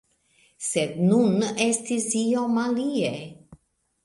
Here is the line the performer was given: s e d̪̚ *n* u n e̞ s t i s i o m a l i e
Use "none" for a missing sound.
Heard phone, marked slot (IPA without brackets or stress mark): n